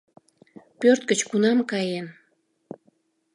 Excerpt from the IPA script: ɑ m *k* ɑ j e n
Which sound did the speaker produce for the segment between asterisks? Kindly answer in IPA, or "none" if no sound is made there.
k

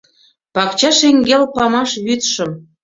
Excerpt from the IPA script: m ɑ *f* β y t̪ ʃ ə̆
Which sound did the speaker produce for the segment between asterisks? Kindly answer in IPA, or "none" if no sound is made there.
ʃ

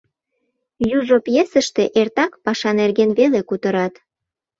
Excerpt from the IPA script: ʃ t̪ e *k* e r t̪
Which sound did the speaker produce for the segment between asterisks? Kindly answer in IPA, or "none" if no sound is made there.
ʔ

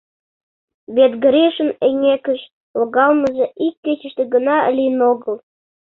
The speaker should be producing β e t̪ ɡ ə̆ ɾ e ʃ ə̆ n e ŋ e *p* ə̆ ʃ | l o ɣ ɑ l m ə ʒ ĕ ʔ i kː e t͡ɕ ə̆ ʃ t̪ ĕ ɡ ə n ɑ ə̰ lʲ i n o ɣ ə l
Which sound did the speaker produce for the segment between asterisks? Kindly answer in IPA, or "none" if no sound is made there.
k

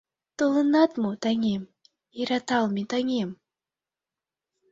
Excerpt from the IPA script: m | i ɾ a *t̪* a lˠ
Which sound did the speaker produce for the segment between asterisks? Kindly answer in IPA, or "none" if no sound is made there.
t̪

